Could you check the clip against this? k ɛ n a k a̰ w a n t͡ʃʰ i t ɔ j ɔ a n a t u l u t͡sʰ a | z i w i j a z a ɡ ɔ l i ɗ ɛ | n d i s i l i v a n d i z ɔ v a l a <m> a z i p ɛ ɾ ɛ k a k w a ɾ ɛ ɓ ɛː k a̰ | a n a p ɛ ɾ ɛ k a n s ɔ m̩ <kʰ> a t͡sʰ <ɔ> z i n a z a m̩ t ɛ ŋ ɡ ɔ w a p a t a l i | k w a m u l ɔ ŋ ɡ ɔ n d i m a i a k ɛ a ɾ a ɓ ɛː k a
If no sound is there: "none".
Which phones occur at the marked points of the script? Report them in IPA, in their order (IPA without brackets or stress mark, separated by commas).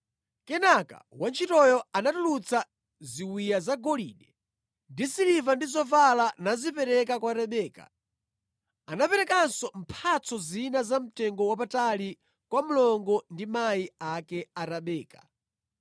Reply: n, pʰ, ɔ